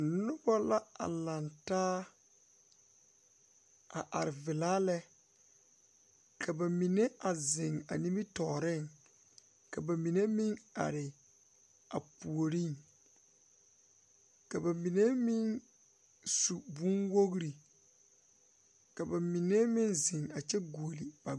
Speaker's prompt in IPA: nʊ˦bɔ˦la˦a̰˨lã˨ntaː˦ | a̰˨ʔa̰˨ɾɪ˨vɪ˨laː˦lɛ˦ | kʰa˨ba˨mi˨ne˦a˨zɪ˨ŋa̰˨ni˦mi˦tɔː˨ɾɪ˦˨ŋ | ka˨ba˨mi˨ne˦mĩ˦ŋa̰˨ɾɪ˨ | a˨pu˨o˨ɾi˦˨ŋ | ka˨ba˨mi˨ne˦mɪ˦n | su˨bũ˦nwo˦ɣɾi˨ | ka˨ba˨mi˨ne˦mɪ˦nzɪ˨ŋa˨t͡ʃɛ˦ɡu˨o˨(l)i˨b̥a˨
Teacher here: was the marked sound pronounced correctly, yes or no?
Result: yes